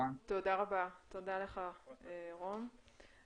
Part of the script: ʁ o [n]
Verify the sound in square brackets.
incorrect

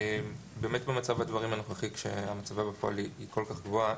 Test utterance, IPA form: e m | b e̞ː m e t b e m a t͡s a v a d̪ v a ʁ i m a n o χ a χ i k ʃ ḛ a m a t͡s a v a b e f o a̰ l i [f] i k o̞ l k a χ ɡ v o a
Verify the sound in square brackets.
incorrect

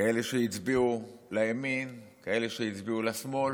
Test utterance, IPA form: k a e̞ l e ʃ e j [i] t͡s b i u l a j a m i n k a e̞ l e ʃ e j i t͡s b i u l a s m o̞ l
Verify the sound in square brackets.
correct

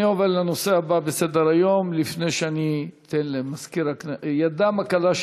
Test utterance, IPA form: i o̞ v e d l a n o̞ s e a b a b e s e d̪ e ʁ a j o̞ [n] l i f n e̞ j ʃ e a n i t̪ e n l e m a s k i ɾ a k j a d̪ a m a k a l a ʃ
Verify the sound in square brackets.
incorrect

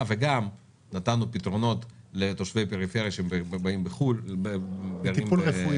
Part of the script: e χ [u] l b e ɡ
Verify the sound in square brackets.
correct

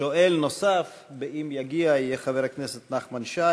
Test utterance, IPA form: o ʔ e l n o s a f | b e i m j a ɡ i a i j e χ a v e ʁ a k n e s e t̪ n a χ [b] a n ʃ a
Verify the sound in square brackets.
incorrect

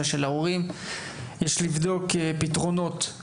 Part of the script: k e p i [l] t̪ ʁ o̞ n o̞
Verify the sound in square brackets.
incorrect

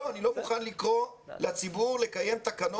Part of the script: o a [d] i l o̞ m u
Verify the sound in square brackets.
incorrect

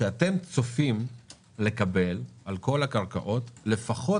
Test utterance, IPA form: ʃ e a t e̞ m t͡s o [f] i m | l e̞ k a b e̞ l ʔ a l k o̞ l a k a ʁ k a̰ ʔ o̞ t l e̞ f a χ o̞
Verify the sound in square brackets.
correct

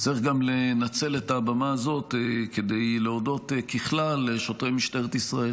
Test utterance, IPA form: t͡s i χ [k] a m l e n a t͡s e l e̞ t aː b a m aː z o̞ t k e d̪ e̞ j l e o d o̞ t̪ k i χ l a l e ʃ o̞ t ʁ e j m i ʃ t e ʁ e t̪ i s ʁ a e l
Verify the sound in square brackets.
incorrect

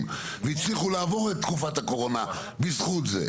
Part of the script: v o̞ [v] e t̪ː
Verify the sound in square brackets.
incorrect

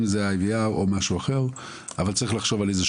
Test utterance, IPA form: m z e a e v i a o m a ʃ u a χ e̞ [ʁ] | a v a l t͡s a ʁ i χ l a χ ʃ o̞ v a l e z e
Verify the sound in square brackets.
correct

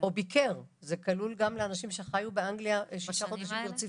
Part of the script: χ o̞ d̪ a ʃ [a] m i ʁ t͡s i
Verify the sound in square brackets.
incorrect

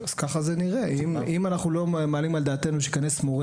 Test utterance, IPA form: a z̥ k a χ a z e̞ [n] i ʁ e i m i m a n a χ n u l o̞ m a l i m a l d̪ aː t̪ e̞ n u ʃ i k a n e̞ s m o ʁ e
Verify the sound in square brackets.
correct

